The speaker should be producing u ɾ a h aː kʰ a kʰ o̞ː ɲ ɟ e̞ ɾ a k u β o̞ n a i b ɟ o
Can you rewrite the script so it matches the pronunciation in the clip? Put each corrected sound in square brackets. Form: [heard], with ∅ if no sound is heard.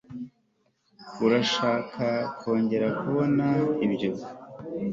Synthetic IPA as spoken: u ɾ a [ʃ] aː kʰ a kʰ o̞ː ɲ ɟ e̞ ɾ a k u β o̞ n a i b ɟ o